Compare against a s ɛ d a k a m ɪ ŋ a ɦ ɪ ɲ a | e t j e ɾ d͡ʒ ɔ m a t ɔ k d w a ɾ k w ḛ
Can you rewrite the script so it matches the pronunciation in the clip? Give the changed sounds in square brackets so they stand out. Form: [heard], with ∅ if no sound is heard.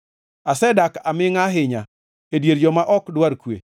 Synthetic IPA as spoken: a s ɛ d a k a m ɪ ŋ a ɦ ɪ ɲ a | e [d] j e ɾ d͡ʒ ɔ m a [ʔ] ɔ k d w a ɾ k w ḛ